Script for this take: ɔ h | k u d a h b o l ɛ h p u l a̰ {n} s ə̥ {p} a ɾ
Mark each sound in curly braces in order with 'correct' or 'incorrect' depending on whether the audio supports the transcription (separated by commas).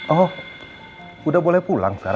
incorrect, incorrect